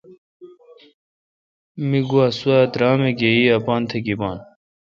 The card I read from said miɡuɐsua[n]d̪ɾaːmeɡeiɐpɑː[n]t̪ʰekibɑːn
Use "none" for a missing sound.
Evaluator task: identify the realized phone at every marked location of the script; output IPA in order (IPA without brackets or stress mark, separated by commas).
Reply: none, n